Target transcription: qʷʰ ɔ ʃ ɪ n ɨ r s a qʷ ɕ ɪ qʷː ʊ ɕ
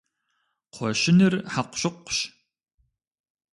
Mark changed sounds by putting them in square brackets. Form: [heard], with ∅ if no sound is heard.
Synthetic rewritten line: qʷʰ ɔ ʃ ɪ n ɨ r [ħ] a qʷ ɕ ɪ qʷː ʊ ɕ

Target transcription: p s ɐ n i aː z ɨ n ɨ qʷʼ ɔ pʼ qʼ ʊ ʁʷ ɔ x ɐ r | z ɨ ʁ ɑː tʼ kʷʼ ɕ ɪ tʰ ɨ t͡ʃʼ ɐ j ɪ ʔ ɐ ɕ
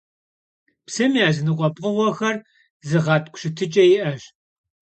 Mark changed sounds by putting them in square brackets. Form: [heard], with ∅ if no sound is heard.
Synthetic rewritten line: p s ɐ [m] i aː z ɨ n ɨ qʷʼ ɔ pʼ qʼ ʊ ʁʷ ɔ x ɐ r | z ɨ ʁ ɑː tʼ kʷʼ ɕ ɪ tʰ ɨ t͡ʃʼ ɐ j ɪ ʔ ɐ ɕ

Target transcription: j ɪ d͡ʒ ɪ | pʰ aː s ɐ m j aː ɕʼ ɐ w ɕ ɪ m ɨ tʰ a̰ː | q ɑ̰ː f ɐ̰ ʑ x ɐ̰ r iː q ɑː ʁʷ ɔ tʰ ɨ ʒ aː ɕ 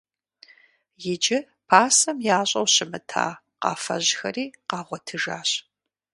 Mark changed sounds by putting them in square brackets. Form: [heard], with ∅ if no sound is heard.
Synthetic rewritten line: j ɪ d͡ʒ ɪ | pʰ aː s ɐ m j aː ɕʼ ɐ w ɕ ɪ m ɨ tʰ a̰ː | q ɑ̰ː f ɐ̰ ʑ x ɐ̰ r iː q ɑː ʁʷ ɔ tʰ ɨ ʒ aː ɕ

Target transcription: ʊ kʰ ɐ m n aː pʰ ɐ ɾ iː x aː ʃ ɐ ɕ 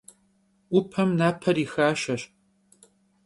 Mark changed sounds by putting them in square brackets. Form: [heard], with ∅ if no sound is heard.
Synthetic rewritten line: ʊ [pʰ] ɐ m n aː pʰ ɐ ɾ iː x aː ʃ ɐ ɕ

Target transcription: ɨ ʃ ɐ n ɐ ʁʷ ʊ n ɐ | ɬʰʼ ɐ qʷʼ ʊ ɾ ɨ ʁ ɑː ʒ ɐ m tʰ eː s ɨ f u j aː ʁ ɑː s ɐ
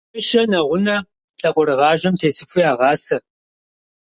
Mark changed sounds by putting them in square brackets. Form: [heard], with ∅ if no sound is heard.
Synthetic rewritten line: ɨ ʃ ɐ n ɐ ʁʷ ʊ n ɐ | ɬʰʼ ɐ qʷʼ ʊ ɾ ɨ ʁ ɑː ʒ ɐ m tʰ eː s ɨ f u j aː ʁ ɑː s ɐ

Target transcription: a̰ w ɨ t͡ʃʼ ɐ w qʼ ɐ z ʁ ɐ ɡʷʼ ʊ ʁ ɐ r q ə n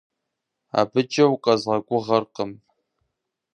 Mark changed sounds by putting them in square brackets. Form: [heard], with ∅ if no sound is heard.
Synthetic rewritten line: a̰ [b] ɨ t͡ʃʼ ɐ w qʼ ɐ z ʁ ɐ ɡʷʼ ʊ ʁ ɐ r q ə [m]

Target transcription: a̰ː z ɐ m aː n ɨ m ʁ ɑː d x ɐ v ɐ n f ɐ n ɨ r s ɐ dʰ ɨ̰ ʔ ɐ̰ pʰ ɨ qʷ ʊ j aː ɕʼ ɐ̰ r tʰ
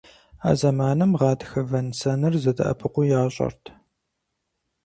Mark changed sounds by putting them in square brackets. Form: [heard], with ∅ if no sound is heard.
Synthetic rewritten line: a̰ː z ɐ m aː n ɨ m ʁ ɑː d x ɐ v ɐ n [s] ɐ n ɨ r [z] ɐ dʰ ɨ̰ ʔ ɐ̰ pʰ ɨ qʷ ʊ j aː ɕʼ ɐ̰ r tʰ

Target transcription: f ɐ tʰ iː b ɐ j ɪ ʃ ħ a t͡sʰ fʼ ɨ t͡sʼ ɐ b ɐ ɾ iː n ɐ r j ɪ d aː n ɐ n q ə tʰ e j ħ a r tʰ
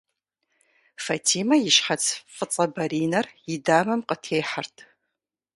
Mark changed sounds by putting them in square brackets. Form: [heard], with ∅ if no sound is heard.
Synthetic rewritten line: f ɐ tʰ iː [m] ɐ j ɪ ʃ ħ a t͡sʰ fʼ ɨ t͡sʼ ɐ b ɐ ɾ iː n ɐ r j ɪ d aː [m] ɐ [m] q ə tʰ e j ħ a r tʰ

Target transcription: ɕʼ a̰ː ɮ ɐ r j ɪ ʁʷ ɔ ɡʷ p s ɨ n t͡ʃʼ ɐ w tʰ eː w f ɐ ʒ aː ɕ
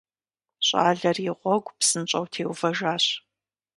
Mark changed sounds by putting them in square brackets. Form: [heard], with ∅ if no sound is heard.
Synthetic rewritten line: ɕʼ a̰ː ɮ ɐ r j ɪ ʁʷ ɔ ɡʷ p s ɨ n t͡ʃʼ ɐ w tʰ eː w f ɐ ʒ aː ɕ

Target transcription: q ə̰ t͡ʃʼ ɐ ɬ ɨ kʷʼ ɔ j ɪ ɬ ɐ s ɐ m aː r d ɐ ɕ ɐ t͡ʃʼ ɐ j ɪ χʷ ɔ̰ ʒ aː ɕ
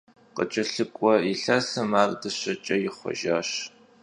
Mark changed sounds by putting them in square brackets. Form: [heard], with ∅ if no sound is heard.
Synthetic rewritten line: q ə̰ t͡ʃʼ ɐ ɬ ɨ kʷʼ ɔ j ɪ ɬ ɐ s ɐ m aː r d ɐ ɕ ɐ t͡ʃʼ ɐ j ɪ χʷ ɔ̰ ʒ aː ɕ

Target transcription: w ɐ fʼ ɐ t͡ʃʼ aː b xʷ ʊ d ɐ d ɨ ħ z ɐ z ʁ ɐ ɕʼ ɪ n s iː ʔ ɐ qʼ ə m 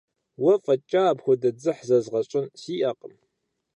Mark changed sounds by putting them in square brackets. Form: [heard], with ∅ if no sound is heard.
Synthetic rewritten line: w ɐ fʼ ɐ t͡ʃʼ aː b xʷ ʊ d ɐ [d͡z] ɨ ħ z ɐ z ʁ ɐ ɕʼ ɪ n s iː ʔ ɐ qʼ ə m

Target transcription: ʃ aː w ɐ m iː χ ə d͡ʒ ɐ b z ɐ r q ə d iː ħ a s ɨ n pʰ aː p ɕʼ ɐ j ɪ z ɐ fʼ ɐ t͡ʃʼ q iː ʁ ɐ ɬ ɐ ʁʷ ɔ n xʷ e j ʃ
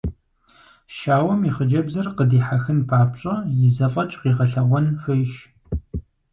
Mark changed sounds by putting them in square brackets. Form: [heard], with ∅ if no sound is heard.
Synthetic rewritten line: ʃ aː w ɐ m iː χ ə d͡ʒ ɐ b z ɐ r q ə d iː ħ a [x] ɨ n pʰ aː p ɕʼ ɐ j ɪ z ɐ fʼ ɐ t͡ʃʼ q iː ʁ ɐ ɬ ɐ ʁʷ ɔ n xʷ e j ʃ

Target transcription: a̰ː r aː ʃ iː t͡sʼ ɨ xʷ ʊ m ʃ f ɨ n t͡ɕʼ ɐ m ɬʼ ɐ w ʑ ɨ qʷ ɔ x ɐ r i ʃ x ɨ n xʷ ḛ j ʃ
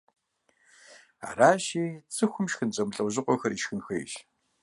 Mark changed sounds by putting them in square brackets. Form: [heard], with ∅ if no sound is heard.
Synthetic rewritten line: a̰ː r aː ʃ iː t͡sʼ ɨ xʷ ʊ m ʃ [x] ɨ n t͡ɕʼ ɐ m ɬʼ ɐ w ʑ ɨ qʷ ɔ x ɐ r i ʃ x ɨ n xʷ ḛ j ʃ

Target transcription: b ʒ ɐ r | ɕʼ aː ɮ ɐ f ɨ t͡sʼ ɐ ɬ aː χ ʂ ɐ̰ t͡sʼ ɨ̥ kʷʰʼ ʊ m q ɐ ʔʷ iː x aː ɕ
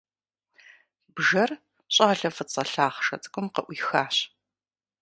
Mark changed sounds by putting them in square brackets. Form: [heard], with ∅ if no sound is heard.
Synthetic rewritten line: b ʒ ɐ r | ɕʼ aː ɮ ɐ f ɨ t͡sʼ ɐ ɬ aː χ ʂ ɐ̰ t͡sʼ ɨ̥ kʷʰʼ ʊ m q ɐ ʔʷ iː x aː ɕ

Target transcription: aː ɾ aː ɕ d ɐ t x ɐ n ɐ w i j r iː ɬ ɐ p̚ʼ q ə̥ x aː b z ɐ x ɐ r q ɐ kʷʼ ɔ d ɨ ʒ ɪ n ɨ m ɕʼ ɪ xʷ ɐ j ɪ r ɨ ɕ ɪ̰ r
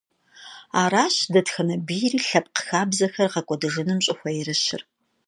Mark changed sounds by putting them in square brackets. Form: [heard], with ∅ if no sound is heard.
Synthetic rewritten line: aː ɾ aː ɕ d ɐ t x ɐ n ɐ [b] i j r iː ɬ ɐ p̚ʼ q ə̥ x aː b z ɐ x ɐ r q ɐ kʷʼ ɔ d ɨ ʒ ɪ n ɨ m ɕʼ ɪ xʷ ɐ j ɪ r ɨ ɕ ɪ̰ r

